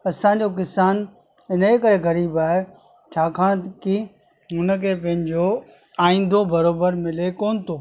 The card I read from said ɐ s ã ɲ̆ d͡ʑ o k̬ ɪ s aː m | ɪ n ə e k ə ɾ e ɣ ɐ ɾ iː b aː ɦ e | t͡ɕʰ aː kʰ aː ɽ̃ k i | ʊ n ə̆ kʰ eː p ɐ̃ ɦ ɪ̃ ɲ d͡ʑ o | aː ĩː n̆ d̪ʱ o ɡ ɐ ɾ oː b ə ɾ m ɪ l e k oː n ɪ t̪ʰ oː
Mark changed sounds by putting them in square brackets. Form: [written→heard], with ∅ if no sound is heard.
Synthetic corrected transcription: ɐ s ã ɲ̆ d͡ʑ o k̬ ɪ s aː [m→n] | ɪ n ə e k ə ɾ e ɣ ɐ ɾ iː b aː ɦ e | t͡ɕʰ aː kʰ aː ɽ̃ k i | ʊ n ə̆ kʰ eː p ɐ̃ ɦ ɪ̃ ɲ d͡ʑ o | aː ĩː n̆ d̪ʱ o [ɡ→b] ɐ ɾ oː b ə ɾ m ɪ l e k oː n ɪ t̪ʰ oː